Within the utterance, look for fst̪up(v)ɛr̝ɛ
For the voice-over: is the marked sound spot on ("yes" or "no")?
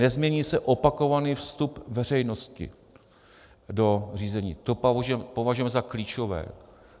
yes